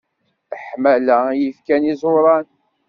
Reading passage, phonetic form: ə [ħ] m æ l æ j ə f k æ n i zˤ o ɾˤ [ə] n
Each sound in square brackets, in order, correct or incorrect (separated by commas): correct, incorrect